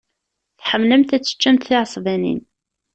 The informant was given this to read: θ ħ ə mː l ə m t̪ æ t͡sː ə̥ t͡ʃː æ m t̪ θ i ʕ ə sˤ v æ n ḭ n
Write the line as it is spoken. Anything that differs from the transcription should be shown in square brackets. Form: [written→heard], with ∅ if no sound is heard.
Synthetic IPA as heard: θ ħ ə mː l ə m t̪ æ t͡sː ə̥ t͡ʃː æ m t̪ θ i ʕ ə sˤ v æ n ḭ n